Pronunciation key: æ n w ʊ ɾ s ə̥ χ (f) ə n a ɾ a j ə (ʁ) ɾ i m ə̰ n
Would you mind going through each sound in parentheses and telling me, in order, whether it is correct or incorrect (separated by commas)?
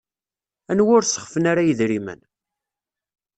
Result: correct, incorrect